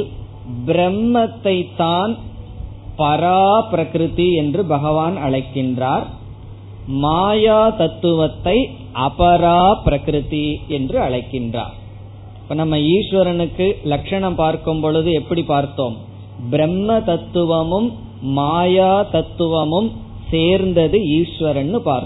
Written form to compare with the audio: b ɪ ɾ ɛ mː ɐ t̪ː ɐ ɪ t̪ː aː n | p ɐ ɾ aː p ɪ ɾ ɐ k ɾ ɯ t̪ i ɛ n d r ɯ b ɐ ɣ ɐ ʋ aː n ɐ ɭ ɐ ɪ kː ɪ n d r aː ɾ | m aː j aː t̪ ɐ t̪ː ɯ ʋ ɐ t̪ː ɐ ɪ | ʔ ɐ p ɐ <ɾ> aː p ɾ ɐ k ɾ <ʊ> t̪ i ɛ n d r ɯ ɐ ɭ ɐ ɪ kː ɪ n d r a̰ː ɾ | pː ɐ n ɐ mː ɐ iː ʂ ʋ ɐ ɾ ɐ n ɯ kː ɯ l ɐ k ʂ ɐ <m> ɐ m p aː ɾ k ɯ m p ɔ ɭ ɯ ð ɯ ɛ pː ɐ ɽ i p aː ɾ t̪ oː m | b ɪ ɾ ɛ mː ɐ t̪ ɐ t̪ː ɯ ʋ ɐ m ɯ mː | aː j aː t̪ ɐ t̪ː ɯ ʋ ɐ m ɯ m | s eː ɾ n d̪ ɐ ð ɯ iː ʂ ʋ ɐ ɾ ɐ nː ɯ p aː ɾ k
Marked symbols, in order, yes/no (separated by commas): yes, no, no